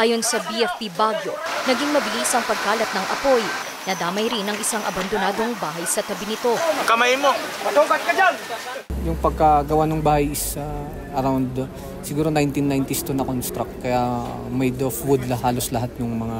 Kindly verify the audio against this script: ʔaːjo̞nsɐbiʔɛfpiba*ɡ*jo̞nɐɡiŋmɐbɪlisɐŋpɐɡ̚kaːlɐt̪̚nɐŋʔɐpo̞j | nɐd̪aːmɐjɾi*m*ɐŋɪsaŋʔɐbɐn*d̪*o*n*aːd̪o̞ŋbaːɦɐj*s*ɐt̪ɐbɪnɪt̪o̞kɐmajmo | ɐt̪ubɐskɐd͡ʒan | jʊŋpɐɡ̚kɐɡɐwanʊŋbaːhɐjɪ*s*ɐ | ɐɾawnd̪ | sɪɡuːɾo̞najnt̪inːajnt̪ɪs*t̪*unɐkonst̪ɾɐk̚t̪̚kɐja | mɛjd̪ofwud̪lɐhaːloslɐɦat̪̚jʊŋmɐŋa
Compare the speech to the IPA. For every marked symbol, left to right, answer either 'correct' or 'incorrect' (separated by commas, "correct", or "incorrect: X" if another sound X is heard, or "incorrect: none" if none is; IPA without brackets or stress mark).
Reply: correct, incorrect: n, correct, correct, correct, correct, correct